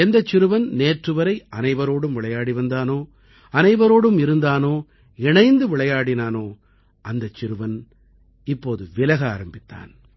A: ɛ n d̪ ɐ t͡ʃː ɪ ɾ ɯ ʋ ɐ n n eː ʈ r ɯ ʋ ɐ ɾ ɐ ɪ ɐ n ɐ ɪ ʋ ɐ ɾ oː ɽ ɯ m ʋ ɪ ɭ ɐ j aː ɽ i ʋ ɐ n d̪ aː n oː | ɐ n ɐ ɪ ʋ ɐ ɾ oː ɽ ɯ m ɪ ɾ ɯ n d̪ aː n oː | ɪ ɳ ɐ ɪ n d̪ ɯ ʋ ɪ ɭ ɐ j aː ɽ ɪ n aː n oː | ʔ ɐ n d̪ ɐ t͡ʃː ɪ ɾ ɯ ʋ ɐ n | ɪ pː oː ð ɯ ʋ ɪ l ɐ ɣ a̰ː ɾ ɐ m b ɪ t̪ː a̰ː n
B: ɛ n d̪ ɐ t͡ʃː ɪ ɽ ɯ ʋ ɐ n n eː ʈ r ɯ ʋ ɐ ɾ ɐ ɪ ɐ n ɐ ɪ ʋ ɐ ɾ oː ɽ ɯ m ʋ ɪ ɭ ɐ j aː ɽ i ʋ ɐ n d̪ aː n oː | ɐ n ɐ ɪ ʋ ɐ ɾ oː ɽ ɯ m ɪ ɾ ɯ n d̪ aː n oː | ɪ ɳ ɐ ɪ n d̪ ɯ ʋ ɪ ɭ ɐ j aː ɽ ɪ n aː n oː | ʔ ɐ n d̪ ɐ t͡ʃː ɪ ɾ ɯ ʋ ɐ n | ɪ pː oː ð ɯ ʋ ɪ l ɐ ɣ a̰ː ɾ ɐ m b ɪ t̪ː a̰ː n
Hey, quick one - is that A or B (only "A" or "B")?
A